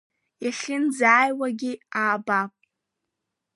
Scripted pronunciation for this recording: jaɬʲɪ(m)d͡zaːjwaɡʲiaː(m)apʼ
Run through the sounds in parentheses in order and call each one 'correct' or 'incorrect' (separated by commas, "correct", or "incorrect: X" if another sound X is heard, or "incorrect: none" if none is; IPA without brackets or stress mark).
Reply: incorrect: n, incorrect: b